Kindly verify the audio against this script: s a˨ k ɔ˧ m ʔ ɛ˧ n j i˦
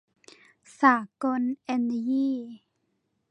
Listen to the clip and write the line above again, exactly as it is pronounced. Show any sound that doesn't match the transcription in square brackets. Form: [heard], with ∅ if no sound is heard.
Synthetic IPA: s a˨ k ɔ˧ [n] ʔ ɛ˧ n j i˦